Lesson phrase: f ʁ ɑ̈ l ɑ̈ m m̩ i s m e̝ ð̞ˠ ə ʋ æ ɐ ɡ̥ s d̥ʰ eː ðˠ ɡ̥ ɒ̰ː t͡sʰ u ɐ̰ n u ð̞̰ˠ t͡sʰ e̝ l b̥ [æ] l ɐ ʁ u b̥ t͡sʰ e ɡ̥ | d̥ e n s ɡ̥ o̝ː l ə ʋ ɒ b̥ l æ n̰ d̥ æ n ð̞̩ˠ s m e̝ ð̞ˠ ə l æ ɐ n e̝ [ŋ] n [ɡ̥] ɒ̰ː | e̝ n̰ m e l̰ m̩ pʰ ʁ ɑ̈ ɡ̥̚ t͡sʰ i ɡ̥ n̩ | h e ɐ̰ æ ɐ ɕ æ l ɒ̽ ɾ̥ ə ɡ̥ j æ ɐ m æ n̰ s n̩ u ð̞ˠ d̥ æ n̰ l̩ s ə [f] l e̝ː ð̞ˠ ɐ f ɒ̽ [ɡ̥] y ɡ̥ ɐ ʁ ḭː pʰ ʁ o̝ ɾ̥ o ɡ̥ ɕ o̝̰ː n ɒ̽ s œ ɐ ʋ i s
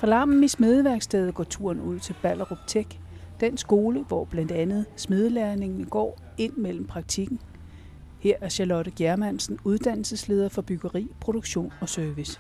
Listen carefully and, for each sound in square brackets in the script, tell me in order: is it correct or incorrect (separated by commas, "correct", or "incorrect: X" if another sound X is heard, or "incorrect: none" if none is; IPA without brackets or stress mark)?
correct, correct, correct, incorrect: s, incorrect: b̥